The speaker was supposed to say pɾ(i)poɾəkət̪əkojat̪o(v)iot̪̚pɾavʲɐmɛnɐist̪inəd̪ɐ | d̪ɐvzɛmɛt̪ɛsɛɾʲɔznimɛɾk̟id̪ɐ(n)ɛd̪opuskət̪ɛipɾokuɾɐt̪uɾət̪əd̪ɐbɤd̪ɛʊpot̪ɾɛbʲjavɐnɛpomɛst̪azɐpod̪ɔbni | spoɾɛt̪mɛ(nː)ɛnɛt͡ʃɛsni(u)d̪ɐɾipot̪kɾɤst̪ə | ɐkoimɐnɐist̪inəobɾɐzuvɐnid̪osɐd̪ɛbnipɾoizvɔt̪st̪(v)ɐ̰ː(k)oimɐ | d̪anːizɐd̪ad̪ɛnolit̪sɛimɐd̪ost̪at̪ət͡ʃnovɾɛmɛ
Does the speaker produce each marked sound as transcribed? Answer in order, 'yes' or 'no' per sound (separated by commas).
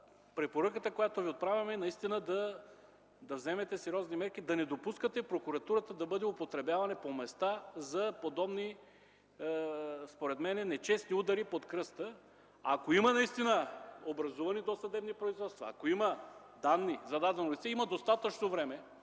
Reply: no, yes, yes, no, yes, yes, yes